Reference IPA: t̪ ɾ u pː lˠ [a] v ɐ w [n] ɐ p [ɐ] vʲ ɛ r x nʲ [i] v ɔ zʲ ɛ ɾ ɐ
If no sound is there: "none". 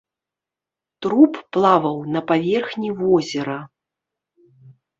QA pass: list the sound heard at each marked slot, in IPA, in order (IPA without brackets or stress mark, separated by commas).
a, n, a, i